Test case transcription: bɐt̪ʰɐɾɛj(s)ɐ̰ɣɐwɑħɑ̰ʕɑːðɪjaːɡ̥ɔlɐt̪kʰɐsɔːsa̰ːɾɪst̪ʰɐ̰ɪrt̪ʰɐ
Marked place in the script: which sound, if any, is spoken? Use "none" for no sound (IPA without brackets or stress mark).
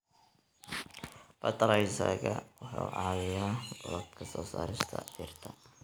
s